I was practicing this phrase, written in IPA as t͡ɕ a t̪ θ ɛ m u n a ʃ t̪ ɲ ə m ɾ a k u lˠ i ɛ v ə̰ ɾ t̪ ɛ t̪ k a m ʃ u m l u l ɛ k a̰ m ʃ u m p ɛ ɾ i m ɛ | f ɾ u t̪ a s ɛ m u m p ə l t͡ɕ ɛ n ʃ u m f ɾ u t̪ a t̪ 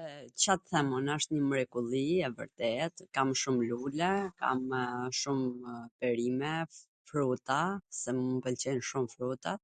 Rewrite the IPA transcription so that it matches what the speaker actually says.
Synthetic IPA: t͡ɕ a t̪ θ ɛ m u n a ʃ t̪ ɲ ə m ɾ ɛ k u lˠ i ɛ v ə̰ ɾ t̪ ɛ t̪ k a m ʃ u m l u l ɛ k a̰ m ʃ u m p ɛ ɾ i m ɛ | f ɾ u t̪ a s ɛ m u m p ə l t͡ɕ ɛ n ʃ u m f ɾ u t̪ a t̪